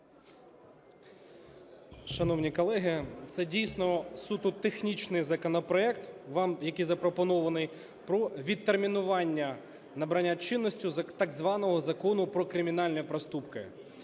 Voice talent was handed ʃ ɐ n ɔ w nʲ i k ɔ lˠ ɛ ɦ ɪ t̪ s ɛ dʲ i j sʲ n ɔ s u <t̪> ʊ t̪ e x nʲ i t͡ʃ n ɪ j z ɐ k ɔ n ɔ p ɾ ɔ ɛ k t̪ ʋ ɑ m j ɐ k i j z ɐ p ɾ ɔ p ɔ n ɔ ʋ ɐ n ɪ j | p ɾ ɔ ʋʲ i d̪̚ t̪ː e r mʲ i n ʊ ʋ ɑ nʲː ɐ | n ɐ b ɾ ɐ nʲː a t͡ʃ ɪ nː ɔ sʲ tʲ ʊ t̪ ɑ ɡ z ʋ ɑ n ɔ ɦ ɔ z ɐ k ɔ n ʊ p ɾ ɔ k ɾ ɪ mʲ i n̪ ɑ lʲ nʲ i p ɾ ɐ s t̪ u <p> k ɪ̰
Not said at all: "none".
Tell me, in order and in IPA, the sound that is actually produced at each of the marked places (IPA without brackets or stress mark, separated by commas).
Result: t̪, p